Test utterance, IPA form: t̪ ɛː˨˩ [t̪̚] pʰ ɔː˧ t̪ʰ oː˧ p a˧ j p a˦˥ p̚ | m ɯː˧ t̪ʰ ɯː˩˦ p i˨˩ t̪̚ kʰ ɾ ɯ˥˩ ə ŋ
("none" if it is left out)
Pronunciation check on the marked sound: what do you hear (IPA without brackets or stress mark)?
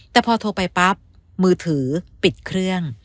none